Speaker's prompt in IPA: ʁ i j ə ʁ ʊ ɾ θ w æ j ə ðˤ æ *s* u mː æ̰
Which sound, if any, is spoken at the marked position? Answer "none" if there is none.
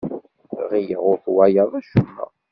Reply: ʃ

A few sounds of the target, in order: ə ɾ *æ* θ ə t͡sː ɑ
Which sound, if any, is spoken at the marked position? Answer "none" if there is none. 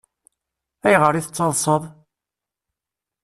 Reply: i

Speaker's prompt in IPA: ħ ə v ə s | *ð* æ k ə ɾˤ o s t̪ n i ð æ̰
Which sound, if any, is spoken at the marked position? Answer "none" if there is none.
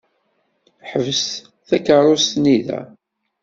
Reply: θ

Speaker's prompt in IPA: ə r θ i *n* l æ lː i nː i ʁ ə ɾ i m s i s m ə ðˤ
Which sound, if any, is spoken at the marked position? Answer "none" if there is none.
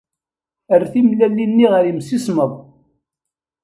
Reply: m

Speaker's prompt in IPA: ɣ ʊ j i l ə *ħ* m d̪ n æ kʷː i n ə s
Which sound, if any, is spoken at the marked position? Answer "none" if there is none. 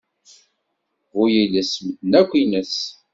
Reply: s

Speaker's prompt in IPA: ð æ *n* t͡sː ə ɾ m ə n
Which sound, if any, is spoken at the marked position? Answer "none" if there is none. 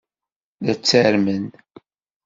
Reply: none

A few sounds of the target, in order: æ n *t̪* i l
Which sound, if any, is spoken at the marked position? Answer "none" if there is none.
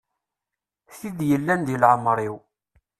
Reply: d̪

